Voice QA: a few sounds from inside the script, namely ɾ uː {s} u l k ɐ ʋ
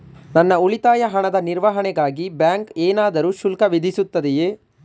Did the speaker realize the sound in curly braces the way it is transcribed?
no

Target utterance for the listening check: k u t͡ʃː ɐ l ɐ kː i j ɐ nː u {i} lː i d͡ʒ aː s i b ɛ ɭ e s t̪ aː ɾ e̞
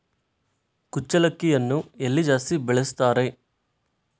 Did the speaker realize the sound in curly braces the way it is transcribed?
no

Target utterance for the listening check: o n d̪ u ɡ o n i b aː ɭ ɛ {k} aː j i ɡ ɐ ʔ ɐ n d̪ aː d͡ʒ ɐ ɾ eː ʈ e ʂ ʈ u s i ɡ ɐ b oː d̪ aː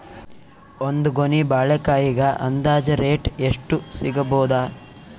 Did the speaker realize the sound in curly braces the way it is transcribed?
yes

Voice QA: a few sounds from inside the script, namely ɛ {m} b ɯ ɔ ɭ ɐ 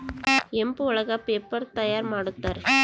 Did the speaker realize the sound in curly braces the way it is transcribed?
yes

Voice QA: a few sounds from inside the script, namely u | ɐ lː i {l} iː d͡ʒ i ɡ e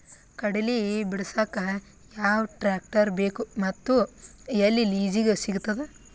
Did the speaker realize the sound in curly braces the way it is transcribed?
yes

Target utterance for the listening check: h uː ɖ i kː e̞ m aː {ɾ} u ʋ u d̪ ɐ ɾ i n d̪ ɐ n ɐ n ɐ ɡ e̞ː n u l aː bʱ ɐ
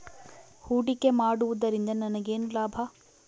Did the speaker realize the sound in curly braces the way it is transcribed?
no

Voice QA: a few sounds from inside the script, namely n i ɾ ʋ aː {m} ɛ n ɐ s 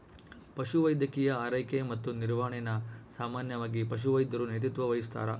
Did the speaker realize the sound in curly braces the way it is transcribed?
no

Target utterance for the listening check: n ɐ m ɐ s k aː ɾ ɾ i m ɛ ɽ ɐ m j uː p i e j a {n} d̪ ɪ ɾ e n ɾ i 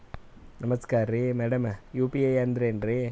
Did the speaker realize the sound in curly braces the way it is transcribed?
yes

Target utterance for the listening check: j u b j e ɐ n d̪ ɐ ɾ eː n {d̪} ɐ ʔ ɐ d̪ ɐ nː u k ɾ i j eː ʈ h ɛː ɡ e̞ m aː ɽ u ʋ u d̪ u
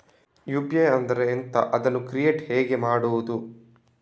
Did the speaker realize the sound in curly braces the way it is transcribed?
no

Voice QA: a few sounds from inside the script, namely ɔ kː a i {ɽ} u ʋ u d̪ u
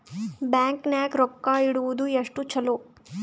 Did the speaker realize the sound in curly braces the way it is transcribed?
yes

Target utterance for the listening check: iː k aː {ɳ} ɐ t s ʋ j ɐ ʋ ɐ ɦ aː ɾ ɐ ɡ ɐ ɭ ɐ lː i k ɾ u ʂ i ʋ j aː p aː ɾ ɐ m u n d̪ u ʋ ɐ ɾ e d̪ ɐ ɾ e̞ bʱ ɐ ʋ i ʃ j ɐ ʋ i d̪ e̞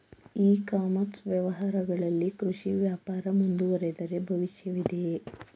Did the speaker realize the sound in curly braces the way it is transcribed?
no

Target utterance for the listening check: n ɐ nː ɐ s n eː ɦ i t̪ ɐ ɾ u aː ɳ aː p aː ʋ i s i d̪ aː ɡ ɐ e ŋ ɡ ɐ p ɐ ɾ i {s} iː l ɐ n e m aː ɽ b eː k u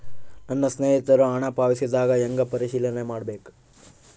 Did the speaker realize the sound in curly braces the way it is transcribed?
no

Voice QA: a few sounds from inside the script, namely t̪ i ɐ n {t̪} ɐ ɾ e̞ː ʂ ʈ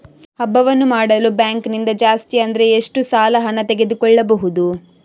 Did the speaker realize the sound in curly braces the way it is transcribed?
no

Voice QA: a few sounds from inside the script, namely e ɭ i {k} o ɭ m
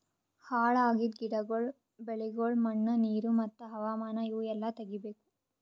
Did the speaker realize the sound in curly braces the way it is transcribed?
no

